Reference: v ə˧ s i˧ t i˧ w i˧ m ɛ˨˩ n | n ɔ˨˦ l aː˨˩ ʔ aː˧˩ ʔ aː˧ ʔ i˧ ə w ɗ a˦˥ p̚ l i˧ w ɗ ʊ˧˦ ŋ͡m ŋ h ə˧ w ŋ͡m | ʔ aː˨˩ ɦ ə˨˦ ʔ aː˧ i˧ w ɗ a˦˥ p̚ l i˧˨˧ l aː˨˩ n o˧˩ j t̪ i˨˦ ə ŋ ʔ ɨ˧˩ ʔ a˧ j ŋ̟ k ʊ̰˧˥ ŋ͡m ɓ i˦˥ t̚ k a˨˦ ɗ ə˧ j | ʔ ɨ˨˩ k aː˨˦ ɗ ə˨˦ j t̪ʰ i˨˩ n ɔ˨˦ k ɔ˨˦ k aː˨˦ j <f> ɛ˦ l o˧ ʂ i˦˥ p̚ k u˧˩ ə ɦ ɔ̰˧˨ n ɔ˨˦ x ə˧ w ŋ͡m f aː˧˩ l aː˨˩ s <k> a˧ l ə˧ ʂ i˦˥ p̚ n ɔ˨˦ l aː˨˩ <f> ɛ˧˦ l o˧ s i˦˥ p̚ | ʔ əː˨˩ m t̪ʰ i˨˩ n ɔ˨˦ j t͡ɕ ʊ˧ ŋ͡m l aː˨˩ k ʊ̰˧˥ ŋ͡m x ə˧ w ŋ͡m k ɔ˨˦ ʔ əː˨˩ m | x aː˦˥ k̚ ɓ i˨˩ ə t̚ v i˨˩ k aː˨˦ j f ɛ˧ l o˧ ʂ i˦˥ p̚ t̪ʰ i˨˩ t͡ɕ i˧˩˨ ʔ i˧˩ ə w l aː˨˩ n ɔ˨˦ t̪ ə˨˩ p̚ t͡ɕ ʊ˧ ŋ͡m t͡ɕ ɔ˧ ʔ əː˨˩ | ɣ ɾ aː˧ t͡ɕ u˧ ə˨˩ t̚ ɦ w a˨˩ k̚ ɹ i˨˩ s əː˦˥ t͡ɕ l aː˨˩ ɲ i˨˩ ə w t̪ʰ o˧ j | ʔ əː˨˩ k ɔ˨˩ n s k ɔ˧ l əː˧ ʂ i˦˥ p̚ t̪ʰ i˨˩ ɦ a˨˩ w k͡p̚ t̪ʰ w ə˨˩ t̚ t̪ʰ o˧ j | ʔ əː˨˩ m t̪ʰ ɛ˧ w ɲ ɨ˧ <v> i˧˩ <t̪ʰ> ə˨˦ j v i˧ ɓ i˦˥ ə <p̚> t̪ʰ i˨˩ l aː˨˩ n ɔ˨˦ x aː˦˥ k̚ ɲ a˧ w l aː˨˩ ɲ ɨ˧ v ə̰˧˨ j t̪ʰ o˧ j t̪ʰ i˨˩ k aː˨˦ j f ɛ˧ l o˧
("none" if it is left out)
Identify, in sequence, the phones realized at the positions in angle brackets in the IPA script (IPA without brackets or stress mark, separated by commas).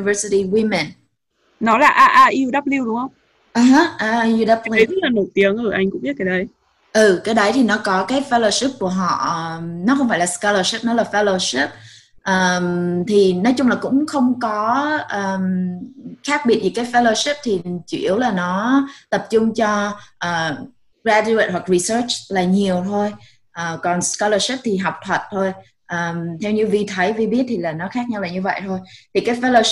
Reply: f, k, f, v, t̪ʰ, t̚